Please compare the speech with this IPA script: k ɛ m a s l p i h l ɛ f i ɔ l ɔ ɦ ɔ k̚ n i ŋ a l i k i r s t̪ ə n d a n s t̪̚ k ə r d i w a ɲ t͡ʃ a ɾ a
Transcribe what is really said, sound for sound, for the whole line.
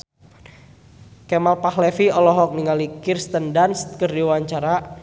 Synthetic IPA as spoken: k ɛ m a l p a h l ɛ f i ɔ l ɔ ɦ ɔ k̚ n i ŋ a l i k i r s t̪ ə n d a n s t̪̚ k ə r d i w a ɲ t͡ʃ a ɾ a